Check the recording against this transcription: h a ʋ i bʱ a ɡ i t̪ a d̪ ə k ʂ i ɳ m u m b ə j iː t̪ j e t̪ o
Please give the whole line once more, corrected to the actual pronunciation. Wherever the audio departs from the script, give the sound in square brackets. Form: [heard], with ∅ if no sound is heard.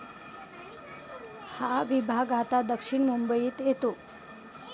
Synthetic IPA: h a ʋ i bʱ a ɡ [a] t̪ a d̪ ə k ʂ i ɳ m u m b ə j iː t̪ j e t̪ o